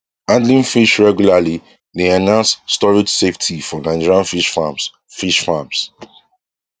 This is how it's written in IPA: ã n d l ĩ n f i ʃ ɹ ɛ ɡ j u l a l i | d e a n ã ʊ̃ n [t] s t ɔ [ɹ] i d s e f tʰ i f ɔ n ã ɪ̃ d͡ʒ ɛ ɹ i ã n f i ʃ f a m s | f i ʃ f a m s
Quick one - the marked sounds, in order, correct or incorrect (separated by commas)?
incorrect, correct